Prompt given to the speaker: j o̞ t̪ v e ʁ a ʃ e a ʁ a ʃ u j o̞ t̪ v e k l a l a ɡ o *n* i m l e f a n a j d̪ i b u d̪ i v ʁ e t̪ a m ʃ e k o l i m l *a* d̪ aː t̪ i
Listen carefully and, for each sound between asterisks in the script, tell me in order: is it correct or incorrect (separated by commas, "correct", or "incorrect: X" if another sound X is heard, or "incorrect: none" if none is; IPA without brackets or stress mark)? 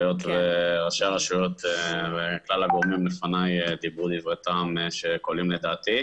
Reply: incorrect: m, incorrect: e